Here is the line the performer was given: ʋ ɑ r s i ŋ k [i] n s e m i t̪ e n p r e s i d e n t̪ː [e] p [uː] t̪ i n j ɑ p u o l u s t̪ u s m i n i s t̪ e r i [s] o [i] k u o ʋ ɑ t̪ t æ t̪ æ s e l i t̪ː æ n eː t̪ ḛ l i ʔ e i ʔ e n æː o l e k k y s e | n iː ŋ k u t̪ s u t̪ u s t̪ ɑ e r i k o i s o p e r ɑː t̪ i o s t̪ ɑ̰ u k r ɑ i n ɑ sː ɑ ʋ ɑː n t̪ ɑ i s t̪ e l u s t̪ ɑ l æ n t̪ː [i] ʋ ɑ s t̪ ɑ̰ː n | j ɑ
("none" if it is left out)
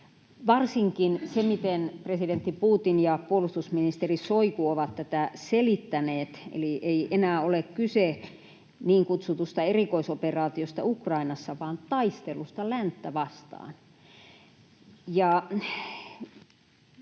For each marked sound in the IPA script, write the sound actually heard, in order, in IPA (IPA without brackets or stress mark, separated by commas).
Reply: i, i, uː, s, i, æ